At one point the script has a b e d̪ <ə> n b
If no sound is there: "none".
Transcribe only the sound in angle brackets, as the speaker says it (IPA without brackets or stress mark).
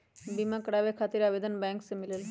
ə